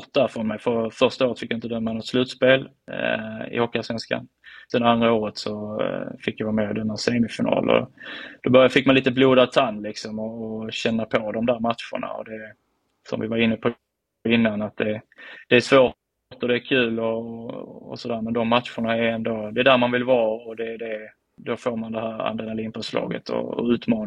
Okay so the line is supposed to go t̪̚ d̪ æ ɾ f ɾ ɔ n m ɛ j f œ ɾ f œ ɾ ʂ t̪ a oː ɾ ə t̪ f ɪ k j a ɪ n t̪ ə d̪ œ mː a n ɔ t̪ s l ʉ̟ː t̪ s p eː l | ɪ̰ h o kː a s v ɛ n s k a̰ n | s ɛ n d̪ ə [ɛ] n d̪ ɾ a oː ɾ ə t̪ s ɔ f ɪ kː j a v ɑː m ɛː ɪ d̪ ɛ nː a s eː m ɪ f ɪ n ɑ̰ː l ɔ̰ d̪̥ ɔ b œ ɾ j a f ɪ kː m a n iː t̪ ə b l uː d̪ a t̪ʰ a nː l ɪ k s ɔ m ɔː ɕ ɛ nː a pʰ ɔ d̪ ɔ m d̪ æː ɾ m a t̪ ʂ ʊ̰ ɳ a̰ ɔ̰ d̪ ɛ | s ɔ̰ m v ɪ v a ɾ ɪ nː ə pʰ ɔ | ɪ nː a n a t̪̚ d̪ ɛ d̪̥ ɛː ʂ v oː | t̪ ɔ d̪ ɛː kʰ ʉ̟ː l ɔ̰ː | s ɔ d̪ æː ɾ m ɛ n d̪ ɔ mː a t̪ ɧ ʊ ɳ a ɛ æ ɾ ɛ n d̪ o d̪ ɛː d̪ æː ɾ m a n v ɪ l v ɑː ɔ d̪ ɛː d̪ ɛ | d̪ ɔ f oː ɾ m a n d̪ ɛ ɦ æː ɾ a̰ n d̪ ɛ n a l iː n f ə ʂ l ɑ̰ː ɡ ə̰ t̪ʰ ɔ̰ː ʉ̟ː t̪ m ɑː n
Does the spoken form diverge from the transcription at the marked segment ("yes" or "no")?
yes